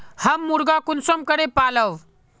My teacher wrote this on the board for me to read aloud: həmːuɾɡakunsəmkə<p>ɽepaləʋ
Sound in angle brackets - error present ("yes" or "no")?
yes